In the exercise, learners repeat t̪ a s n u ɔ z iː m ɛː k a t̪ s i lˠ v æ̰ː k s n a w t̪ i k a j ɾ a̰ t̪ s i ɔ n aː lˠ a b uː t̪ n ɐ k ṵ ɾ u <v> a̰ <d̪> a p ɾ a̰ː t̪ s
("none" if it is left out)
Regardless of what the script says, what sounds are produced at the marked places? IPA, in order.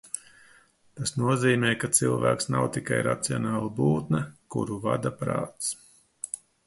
v, d̪

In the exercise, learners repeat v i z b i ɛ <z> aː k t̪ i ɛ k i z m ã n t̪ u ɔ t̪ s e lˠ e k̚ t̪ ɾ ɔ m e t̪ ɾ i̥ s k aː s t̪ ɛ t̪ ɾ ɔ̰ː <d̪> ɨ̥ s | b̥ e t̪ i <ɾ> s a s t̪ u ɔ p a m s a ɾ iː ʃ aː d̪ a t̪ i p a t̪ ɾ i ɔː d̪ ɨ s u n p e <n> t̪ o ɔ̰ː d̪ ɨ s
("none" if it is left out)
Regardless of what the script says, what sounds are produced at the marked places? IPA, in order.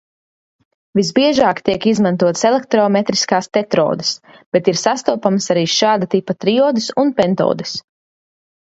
ʒ, d̪, ɾ, n

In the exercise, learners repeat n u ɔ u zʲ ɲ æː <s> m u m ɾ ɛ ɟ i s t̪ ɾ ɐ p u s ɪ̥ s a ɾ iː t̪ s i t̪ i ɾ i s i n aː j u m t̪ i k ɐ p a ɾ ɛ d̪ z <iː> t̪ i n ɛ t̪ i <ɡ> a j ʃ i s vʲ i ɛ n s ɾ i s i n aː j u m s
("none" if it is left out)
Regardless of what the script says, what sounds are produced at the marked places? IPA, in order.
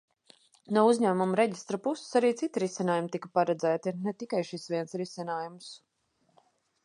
none, æː, k

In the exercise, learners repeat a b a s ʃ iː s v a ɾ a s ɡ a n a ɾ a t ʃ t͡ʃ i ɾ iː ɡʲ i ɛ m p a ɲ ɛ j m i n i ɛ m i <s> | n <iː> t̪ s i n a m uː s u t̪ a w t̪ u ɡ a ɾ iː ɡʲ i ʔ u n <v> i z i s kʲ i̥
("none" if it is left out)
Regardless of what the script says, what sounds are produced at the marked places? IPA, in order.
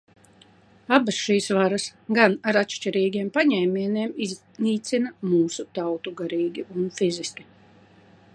z, iː, f

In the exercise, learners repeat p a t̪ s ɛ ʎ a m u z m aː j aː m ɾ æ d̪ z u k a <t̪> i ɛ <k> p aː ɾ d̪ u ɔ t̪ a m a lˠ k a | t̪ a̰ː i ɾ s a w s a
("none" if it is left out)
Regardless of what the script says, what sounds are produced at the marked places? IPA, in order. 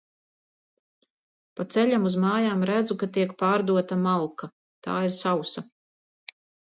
t̪, k

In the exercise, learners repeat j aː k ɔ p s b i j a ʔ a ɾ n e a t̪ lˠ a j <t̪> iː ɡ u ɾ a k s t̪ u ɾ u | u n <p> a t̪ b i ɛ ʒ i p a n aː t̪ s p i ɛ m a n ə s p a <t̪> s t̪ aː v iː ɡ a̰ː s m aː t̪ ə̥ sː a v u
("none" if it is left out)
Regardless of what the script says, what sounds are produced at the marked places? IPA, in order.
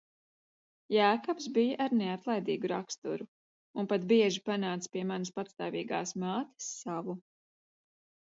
d̪, p, t̪

